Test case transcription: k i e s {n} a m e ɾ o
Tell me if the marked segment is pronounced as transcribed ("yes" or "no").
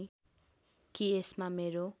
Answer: no